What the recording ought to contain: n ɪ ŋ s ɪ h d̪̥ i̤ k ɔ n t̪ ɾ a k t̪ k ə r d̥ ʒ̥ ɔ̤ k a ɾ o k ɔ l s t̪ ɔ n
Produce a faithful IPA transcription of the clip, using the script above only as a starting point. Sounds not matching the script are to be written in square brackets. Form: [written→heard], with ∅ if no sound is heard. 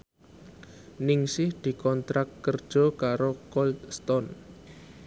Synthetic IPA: n ɪ ŋ s ɪ h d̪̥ i̤ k ɔ n t̪ ɾ a k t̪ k ə r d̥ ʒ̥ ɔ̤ k a ɾ o k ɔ l s t̪ ɔ n